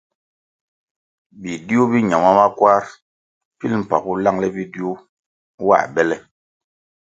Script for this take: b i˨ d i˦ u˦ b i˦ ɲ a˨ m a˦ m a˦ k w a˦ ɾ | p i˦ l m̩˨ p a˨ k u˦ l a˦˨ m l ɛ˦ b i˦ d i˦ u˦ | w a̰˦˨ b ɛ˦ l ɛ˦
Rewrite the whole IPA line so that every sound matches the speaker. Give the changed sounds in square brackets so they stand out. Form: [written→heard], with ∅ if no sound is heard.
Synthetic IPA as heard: b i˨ d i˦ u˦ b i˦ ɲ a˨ m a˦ m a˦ k w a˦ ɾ | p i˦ l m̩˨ p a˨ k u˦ l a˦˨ [m→ŋ] l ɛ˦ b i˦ d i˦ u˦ | w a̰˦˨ b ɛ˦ l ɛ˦